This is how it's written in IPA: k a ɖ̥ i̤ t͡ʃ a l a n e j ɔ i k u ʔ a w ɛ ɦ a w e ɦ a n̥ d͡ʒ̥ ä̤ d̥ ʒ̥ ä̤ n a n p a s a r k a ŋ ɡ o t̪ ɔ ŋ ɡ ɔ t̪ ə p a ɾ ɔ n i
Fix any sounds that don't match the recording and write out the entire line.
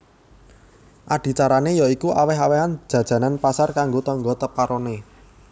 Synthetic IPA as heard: ʔ a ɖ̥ i̤ t͡ʃ a ɾ a n e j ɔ i k u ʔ a w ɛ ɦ a w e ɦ a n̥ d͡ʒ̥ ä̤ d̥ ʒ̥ ä̤ n a n p a s a r k a ŋ ɡ o t̪ ɔ ŋ ɡ ɔ t̪ ə p a ɾ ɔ n e